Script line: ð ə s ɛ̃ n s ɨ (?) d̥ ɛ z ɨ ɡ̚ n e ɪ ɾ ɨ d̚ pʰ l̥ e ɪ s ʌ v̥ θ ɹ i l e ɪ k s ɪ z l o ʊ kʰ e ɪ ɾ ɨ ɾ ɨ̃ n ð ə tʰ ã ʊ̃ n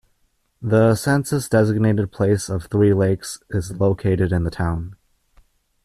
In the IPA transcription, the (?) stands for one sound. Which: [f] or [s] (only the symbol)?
s